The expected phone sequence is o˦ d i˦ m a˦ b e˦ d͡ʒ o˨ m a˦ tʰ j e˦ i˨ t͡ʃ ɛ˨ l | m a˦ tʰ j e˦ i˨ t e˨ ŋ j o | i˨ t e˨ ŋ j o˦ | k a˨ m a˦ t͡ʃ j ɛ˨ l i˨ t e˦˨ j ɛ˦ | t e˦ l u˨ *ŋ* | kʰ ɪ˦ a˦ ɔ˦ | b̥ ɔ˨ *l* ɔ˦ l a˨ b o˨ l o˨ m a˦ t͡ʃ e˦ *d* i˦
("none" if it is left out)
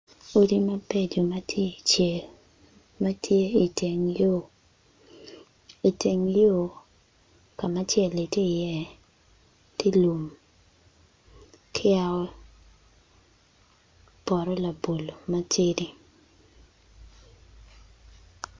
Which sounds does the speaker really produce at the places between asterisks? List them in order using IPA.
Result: m, ɾ, d

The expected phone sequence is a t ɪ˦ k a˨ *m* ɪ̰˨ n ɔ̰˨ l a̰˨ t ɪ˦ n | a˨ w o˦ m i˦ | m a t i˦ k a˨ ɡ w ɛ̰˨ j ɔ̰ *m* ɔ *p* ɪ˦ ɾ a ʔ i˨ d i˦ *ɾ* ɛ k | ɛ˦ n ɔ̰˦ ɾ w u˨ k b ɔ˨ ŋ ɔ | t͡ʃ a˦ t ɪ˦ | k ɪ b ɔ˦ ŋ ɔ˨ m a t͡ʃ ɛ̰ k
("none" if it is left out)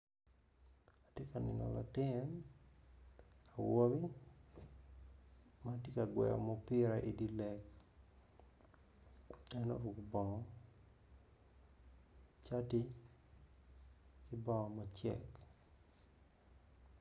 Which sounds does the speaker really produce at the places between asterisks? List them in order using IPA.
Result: n, m, p, l

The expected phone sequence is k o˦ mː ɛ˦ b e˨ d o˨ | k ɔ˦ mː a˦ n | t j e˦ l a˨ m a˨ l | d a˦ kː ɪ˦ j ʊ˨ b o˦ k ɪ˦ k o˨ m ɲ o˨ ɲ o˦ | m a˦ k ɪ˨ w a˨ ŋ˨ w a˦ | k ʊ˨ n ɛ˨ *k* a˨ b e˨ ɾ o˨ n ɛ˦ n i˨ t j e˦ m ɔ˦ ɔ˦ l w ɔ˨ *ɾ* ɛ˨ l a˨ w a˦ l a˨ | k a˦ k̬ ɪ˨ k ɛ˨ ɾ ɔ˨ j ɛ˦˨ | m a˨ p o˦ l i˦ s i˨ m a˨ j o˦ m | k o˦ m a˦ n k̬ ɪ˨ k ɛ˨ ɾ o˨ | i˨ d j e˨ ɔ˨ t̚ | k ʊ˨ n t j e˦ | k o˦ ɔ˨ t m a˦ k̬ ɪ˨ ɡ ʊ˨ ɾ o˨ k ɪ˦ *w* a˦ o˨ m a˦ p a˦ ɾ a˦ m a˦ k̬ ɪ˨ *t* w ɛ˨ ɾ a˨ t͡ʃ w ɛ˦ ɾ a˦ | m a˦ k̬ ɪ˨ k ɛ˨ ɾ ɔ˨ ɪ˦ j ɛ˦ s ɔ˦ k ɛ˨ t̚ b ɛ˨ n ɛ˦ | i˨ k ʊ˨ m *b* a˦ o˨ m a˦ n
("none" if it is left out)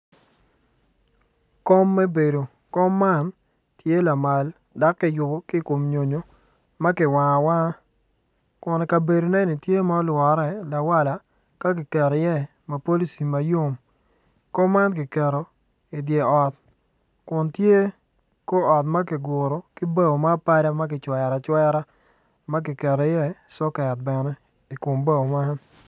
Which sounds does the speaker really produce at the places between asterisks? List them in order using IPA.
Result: k, ɾ, b, t͡ʃ, b

